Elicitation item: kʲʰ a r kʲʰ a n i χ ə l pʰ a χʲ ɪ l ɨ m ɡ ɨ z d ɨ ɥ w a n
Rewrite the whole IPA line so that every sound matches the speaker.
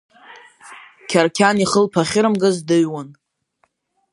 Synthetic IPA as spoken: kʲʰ a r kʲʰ a n i χ ə l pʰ a χʲ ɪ ɾ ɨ m ɡ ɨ z d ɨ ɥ w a n

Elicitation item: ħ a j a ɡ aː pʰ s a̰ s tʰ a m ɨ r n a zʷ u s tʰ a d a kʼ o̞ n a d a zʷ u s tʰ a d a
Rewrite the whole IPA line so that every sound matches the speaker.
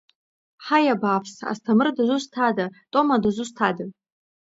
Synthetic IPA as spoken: ħ a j a b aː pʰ s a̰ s tʰ a m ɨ r d a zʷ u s tʰ a d a tʼ o̞ m a d a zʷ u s tʰ a d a

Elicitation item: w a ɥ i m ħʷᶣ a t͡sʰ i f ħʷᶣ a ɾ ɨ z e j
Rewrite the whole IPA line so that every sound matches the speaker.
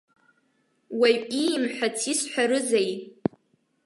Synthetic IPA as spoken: w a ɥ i m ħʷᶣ a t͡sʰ i s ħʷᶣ a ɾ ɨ z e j

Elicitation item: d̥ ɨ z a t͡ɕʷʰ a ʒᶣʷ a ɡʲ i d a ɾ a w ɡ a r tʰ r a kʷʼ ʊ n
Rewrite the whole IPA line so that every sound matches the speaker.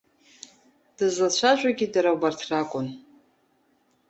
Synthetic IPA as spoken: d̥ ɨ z a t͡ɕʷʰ a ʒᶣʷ a ɡʲ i d a ɾ a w b a r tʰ r a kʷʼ ʊ n

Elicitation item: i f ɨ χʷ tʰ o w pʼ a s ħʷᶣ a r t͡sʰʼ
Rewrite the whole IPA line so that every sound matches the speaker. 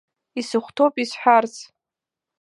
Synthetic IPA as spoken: i s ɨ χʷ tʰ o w pʼ i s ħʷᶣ a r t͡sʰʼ

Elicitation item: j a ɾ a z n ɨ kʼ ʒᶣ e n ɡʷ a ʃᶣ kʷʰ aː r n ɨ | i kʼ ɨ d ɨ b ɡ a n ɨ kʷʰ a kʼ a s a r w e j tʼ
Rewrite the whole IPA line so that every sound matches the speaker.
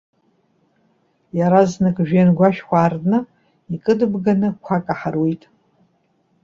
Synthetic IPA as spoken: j a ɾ a z n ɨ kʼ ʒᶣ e n ɡʷ a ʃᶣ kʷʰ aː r n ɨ | i kʼ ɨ d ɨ b ɡ a n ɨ kʷʰ a kʼ a ħ a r w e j tʼ

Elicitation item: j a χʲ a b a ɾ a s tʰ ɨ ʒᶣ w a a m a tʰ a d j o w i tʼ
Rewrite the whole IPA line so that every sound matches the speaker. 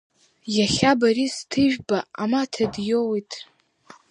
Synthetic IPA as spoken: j a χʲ a b a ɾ i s tʰ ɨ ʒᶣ b a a m a tʰ a d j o w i tʼ

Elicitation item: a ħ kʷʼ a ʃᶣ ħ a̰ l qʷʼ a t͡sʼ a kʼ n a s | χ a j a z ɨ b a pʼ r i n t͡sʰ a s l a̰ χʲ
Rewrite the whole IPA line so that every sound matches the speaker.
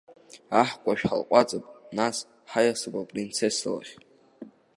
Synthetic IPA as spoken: a ħ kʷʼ a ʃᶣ ħ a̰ l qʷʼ a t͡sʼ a pʼ n a s | ħ a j a s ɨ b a pʼ r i n t͡sʰ e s l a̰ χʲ

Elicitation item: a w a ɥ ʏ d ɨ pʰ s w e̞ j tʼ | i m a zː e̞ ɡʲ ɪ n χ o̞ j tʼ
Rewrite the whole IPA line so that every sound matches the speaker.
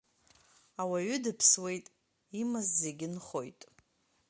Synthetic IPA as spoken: a w a ɥ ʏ d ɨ pʰ s w e̞ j tʼ | i m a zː e̞ ɡʲ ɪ n χ o̞ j tʼ

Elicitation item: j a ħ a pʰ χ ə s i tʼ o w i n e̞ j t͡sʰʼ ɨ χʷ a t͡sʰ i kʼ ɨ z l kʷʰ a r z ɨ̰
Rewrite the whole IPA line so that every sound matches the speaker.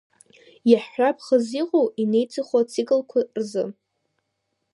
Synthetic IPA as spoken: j a ħ a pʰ χ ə z i qʼ o w i n e̞ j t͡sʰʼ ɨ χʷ a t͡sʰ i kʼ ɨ l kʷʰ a r z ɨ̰

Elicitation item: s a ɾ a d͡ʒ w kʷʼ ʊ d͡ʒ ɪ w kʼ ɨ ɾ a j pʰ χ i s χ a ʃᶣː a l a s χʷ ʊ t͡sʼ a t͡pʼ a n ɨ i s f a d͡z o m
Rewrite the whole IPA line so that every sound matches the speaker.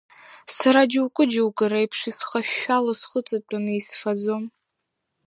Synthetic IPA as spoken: s a ɾ a d͡ʒ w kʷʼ ʊ d͡ʒ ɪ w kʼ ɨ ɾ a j pʰ ʂ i s χ a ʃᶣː a l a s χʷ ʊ t͡sʼ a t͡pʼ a n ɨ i s f a d͡z o m

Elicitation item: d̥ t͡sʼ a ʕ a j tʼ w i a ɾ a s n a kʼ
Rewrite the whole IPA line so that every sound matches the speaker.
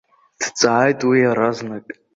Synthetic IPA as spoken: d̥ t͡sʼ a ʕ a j tʼ w i a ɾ a z n a kʼ

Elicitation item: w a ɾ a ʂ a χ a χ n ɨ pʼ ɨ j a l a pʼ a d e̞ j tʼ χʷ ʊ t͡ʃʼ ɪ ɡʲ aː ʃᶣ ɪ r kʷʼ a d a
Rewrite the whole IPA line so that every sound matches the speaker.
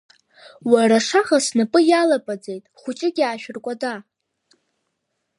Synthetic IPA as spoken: w a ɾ a ʂ a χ a s n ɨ pʼ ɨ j a l a pʼ a d͡z e̞ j tʼ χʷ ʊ t͡ʃʼ ɪ ɡʲ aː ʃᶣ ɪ r kʷʼ a d a

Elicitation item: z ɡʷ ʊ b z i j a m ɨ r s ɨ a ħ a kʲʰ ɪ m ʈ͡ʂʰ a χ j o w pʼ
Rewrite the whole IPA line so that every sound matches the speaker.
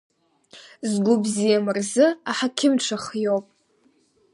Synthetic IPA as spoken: z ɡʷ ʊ b z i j a m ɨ r z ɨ a ħ a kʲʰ ɪ m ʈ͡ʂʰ a χ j o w pʼ

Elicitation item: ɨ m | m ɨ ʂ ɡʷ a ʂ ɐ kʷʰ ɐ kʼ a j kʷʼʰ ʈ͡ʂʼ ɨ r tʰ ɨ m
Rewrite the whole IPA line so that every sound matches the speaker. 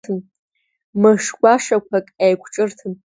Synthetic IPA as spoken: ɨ m | m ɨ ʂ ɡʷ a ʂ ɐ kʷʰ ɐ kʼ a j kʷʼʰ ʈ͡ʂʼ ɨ r tʰ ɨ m

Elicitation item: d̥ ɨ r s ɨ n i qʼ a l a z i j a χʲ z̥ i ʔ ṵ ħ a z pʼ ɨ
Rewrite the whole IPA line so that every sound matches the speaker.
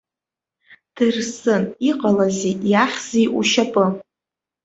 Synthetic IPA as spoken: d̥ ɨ r s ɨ n i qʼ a l a z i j a χʲ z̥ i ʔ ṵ ʃ a pʼ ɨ

